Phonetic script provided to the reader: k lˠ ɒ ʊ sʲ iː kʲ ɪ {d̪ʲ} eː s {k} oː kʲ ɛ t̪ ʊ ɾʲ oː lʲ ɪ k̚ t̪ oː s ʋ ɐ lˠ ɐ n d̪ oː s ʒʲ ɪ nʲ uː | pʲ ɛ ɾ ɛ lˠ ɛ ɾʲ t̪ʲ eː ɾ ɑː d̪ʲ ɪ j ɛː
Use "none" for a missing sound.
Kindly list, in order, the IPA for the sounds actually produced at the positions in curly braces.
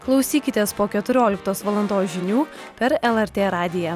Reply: t̪ʲ, p

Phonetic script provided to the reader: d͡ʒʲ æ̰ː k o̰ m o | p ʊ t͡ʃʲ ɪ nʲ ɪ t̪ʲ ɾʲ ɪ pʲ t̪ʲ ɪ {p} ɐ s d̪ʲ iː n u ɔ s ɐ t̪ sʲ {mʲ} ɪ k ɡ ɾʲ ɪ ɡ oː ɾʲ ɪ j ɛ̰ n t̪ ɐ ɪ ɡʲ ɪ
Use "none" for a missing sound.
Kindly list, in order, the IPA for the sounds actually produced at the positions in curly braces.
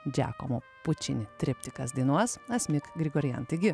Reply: k, mʲ

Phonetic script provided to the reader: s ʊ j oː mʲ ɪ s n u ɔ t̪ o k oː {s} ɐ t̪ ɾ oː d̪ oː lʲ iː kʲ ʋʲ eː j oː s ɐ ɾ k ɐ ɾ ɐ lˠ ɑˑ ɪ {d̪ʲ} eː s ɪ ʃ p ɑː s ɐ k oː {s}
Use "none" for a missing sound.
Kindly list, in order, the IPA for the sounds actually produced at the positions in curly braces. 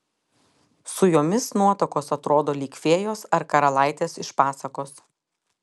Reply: s, t̪ʲ, s

